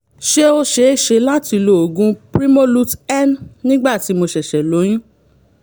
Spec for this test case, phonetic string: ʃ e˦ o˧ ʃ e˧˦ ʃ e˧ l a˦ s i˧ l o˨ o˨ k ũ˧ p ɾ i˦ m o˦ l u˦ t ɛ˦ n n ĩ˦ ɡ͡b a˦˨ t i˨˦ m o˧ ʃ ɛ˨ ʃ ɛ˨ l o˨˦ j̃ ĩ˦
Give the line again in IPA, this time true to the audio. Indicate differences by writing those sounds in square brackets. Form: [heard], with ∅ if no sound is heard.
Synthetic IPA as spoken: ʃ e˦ o˧ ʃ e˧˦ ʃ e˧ l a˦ [t] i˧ l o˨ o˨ [ɡ] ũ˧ p ɾ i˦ m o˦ l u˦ t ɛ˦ n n ĩ˦ ɡ͡b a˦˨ t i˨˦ m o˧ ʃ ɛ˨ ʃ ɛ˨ l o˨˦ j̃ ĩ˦